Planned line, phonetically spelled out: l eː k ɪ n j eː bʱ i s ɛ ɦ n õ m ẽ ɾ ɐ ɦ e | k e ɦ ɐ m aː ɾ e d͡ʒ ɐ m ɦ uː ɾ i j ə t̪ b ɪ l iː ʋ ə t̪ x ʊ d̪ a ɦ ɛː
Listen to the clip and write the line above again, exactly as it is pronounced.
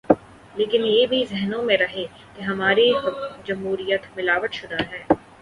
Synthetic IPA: l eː k ɪ n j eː bʱ i z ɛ ɦ n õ m ẽ ɾ ɐ ɦ e | k e ɦ ɐ m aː ɾ i d͡ʒ ɐ m ɦ uː ɾ i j ə t̪ m ɪ l aː ʋ ə t̪ ʃ ʊ d̪ a ɦ ɛː

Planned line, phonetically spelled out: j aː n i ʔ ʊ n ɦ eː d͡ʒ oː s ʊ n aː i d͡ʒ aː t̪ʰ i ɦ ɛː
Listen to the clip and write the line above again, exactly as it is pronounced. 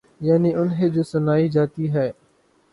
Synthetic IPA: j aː n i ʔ ʊ n ɦ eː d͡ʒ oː s ʊ n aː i d͡ʒ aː t̪ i ɦ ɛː

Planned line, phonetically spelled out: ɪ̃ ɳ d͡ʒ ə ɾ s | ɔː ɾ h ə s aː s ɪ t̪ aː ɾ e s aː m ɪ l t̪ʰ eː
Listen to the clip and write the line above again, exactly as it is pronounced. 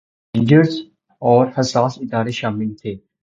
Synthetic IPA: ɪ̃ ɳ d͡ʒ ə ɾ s | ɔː ɾ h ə s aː s ɪ d̪ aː ɾ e ʃ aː m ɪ l t̪ʰ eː

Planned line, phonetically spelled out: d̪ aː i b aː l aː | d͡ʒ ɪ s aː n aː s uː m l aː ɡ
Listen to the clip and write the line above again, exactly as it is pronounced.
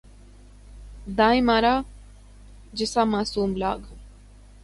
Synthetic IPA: d̪ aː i m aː ɾ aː | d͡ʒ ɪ s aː m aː s uː m l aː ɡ

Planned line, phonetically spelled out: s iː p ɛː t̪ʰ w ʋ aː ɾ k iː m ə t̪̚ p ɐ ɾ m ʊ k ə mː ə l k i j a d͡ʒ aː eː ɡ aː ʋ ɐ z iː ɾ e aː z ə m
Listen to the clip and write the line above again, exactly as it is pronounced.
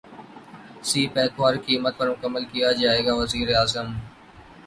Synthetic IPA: s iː p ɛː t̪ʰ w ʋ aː ɾ k iː m ə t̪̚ p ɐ ɾ m ʊ k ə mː ə l k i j a d͡ʒ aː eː ɡ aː ʋ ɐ z iː ɾ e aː z ə m

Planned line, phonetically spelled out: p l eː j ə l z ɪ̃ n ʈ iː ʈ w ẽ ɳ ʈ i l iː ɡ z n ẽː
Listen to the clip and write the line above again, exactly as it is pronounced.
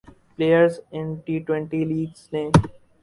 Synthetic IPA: p l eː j ə ɾ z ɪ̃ n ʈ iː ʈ w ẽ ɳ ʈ i l iː ɡ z n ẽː

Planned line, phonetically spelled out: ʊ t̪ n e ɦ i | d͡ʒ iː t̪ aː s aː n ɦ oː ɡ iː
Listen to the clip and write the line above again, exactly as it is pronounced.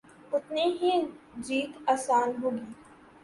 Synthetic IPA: ʊ t̪ n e ɦ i | d͡ʒ iː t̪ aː s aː n ɦ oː ɡ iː

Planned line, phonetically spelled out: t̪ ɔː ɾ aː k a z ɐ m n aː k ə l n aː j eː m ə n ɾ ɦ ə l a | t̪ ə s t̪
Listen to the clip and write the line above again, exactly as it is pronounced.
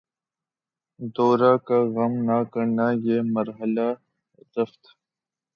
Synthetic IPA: d̪ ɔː ɾ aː k a ɣ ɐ m n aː k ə ɾ n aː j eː m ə ɾ ɦ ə l a | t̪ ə f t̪

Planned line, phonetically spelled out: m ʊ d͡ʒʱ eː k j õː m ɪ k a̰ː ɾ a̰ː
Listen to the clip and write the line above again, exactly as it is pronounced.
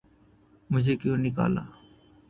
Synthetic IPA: m ʊ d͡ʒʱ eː k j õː n ɪ k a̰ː l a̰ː

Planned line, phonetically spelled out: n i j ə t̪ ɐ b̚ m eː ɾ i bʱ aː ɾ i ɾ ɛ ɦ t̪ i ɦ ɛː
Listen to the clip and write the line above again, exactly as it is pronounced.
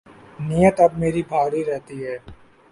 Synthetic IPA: n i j ə t̪ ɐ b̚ m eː ɾ i bʱ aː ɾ i ɾ ɛ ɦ t̪ i ɦ ɛː

